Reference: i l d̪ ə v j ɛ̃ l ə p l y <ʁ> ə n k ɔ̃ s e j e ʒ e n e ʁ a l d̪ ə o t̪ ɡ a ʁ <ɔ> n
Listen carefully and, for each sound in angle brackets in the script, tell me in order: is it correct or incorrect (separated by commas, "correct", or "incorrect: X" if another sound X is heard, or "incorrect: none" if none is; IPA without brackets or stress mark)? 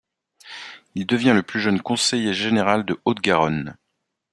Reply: incorrect: ʒ, correct